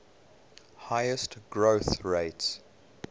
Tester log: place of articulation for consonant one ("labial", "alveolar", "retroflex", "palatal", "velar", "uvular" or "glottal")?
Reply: glottal